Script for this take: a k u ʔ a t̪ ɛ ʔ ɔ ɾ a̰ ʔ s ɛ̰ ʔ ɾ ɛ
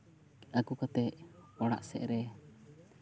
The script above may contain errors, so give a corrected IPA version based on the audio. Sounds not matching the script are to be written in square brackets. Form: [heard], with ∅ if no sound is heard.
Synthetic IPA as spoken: a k u [k] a t̪ ɛ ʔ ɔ [ɽ] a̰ ʔ s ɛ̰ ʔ ɾ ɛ